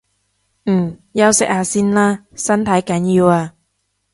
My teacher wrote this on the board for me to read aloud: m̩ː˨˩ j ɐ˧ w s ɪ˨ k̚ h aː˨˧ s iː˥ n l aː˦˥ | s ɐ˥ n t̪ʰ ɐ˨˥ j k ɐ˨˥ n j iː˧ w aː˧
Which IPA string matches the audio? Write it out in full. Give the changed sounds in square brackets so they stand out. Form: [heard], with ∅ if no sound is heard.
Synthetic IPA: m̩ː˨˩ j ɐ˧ w s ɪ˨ k̚ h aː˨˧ s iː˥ n l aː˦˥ | s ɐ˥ n t̪ʰ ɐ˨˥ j k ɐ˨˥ n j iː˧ w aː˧